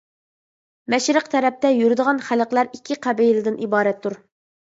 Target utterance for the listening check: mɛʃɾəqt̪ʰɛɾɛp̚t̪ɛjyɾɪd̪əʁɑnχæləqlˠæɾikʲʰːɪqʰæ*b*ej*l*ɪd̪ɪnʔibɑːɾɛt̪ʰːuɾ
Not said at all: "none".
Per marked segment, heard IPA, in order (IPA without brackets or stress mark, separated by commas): b, l